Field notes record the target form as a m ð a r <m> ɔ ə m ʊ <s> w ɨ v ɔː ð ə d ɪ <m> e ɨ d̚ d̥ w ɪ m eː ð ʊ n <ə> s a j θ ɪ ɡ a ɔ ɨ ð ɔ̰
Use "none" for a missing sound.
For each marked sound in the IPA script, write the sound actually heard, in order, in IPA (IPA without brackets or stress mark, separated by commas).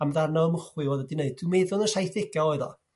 n, χ, n, ə